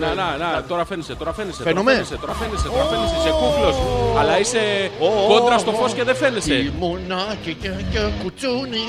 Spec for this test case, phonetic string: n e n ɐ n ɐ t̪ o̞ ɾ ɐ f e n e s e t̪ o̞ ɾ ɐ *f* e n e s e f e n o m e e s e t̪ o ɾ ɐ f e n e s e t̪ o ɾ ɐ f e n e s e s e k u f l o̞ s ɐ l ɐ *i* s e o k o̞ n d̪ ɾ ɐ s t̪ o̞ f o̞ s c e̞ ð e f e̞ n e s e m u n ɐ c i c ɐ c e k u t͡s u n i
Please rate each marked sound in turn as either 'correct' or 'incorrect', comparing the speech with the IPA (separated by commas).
correct, correct